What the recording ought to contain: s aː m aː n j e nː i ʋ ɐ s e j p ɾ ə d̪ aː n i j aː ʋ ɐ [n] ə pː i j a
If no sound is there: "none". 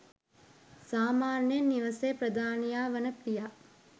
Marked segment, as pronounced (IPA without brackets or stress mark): n